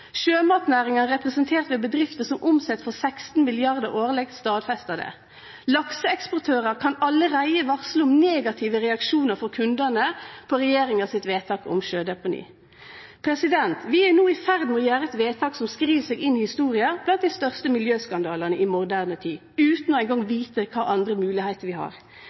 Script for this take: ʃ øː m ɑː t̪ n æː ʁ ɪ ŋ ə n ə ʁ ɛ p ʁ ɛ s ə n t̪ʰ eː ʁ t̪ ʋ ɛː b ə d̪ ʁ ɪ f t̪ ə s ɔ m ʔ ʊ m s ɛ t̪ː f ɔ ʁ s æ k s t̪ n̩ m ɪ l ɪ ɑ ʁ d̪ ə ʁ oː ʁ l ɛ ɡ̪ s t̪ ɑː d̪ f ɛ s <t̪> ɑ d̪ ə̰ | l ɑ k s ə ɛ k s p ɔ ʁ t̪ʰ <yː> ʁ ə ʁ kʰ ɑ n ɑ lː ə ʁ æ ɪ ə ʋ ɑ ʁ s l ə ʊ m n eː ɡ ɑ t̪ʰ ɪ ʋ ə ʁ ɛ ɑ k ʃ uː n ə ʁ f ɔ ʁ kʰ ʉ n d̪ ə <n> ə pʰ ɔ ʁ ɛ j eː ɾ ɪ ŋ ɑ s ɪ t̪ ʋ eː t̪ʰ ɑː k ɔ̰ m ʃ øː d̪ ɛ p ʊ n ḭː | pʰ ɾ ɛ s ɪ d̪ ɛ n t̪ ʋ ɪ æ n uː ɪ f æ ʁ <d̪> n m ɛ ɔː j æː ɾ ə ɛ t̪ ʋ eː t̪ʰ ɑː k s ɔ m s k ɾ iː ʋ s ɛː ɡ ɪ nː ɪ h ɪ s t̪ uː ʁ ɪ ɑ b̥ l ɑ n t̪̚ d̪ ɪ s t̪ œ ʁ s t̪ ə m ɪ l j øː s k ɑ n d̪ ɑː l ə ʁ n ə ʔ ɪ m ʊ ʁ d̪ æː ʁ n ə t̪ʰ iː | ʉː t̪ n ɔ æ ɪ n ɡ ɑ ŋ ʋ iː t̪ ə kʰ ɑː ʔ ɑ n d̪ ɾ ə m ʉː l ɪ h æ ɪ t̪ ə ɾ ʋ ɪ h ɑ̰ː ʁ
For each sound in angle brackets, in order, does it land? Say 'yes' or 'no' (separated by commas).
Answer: yes, no, yes, yes